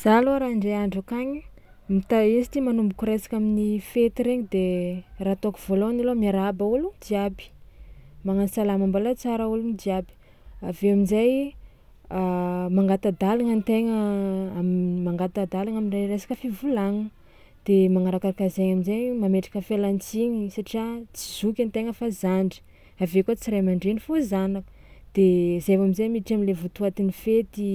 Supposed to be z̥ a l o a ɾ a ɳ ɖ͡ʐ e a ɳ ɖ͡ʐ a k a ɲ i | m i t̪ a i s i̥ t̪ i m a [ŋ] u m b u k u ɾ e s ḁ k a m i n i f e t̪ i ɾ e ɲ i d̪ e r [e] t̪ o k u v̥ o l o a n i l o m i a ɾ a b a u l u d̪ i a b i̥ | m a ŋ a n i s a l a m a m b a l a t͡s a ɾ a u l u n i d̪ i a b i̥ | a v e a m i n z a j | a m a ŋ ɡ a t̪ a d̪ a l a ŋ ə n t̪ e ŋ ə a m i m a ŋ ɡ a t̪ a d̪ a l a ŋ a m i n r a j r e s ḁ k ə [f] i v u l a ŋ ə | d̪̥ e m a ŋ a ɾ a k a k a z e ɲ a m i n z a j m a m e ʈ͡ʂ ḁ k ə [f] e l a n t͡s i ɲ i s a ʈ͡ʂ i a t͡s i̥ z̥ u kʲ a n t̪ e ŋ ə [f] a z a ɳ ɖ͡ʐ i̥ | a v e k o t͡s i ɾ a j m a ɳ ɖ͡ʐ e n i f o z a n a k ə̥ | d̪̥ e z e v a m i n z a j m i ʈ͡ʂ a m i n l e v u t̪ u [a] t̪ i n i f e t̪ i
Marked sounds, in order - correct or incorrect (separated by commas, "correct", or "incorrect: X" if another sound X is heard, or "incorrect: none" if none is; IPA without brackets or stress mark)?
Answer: incorrect: n, incorrect: a, correct, correct, correct, correct